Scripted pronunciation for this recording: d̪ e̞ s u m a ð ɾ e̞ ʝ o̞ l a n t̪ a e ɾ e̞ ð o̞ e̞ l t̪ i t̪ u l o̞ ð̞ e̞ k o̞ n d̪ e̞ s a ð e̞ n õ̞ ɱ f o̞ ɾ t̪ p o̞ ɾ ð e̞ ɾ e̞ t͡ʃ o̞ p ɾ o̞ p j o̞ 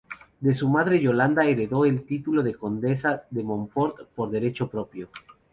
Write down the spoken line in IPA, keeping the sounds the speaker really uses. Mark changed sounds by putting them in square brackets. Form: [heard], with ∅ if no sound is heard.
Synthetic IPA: d̪ e̞ s u m a ð ɾ e̞ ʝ o̞ l a n [d̪] a e ɾ e̞ ð o̞ e̞ l t̪ i t̪ u l o̞ ð̞ e̞ k o̞ n d̪ e̞ s a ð e̞ [m] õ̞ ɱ f o̞ ɾ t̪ p o̞ ɾ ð e̞ ɾ e̞ t͡ʃ o̞ p ɾ o̞ p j o̞